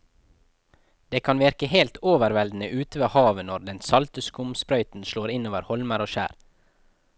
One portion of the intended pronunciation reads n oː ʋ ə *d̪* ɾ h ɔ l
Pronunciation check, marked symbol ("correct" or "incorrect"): incorrect